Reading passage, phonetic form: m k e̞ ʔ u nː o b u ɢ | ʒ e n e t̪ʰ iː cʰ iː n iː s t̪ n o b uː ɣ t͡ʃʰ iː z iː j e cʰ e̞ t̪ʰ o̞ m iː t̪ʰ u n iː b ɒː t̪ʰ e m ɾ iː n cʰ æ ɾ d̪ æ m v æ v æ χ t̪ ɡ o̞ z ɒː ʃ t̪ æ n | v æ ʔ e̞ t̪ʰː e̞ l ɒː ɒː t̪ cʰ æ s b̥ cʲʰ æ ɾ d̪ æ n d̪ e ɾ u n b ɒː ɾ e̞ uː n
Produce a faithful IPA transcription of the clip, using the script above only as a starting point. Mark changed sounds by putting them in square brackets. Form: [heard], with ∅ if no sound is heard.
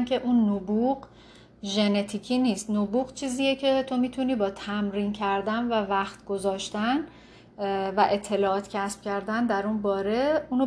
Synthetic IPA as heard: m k e̞ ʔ u nː o b u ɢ | ʒ e n e t̪ʰ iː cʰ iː n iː s t̪ n o b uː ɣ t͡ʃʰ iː z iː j e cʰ e̞ t̪ʰ o̞ m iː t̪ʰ u n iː b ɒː t̪ʰ [æ] m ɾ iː n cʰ æ ɾ d̪ æ [n] v æ v æ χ t̪ ɡ o̞ z ɒː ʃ t̪ æ n | v æ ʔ e̞ t̪ʰː e̞ l ɒː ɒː t̪ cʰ æ s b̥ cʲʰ æ ɾ d̪ æ n d̪ [æ] ɾ u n b ɒː ɾ e̞ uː n